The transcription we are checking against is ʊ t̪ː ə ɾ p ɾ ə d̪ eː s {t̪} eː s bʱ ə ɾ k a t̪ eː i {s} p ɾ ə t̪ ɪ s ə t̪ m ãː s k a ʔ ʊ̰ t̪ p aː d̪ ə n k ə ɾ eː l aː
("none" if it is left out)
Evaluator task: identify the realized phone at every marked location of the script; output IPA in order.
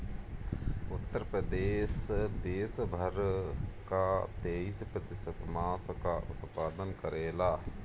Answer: d̪, s

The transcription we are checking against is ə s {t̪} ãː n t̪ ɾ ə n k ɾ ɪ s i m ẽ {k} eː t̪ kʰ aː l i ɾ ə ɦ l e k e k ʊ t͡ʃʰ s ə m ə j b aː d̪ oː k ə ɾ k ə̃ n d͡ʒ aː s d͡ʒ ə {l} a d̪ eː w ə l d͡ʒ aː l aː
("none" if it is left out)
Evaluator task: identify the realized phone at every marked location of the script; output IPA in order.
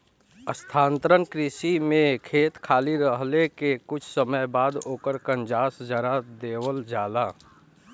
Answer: t̪ʰ, kʰ, ɾ

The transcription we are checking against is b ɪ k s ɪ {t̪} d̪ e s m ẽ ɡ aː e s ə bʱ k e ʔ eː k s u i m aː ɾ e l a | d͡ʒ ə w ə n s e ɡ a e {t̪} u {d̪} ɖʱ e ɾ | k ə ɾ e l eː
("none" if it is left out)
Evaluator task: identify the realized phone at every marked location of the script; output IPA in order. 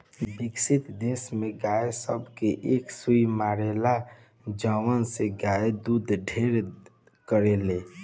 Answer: t̪, d̪, d̪

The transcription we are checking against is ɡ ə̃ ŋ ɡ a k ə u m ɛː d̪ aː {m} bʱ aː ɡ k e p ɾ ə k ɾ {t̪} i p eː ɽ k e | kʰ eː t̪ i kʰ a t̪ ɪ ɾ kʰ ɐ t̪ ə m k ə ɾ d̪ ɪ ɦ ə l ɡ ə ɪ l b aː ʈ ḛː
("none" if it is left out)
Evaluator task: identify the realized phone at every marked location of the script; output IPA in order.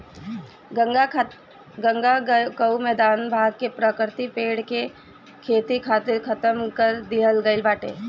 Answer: n, t̪

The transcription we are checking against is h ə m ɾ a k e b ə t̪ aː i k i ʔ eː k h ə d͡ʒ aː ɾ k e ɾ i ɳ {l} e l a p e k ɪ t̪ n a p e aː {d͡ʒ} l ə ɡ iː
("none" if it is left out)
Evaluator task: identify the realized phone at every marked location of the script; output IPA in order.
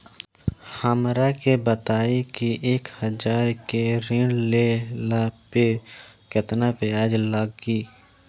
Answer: l, d͡ʒ

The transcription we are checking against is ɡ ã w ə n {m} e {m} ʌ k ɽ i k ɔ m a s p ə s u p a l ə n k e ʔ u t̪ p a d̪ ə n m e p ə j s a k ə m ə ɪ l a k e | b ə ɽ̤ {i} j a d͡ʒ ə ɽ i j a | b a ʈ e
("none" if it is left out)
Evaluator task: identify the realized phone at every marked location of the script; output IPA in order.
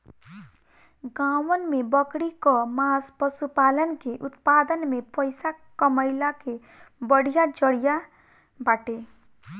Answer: m, b, i

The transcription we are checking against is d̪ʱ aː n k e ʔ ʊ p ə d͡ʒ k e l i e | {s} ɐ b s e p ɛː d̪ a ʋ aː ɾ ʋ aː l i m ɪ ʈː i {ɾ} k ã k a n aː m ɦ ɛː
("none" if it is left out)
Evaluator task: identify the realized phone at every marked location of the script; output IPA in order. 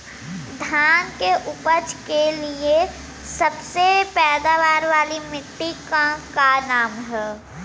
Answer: s, none

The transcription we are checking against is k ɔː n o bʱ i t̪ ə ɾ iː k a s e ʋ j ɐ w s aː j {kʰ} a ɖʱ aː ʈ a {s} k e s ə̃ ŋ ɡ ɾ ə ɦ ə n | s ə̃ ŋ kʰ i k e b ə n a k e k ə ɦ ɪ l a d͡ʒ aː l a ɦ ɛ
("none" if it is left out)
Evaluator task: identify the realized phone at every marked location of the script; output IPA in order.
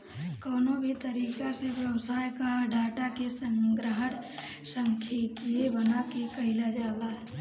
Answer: k, none

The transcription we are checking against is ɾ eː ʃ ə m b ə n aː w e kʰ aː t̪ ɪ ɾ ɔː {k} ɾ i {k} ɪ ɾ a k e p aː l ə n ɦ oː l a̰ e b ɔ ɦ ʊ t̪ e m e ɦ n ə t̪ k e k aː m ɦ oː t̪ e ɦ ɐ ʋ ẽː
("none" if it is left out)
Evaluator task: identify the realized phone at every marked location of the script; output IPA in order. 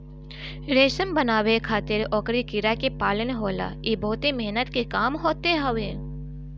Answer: k, k

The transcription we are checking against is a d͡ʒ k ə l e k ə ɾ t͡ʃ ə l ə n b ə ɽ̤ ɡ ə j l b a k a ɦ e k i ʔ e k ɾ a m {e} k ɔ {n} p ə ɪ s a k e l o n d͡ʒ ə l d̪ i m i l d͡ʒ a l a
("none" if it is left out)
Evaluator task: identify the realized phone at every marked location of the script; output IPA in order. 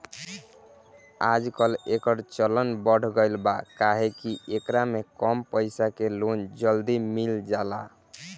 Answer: e, m

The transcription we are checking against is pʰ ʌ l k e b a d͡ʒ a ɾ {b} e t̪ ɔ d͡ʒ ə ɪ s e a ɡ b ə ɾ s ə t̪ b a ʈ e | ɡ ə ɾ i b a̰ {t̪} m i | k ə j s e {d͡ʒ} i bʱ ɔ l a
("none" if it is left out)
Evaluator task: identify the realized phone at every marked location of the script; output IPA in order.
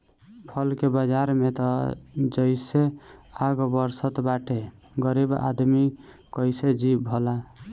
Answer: m, d̪, d͡ʒ

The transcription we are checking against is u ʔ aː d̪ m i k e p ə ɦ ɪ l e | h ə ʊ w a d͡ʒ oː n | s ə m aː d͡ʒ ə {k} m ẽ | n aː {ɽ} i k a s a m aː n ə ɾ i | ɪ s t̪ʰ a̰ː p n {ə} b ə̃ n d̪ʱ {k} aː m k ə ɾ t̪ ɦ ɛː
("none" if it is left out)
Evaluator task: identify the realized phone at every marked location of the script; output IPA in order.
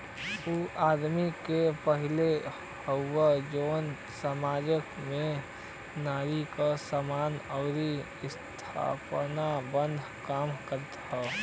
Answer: k, ɾ, a, k

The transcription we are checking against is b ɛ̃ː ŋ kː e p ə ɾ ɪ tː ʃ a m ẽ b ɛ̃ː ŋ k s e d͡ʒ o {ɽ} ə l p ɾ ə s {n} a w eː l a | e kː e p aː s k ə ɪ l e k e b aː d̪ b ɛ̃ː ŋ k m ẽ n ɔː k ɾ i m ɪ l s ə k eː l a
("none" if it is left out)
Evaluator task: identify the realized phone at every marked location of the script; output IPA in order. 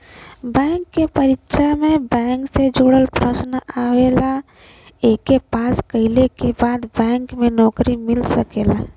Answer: ɽ, n

